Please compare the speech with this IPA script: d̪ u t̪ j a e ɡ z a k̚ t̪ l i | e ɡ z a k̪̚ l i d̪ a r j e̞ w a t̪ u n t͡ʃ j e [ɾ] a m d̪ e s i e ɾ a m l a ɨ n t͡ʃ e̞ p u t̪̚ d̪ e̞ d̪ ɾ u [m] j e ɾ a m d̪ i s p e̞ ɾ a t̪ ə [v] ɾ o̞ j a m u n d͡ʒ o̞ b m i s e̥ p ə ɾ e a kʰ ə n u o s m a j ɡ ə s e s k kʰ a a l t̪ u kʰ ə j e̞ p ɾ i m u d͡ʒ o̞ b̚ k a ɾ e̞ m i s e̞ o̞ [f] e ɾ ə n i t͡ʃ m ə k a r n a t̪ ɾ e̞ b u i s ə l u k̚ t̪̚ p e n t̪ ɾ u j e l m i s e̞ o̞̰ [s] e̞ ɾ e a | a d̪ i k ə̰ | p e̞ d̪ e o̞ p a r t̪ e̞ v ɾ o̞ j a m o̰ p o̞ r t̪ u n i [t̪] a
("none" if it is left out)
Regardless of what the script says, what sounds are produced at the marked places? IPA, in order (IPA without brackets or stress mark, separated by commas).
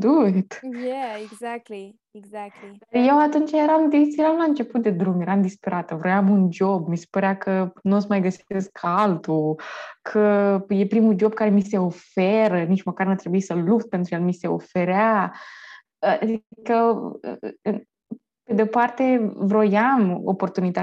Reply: ɾ, m, v, f, f, t̪